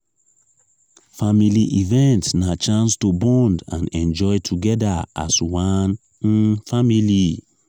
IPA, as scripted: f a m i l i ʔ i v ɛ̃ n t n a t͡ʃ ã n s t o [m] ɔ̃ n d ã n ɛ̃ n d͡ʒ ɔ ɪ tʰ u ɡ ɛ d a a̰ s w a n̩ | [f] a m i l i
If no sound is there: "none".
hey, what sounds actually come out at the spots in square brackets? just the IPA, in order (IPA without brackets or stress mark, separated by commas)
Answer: b, f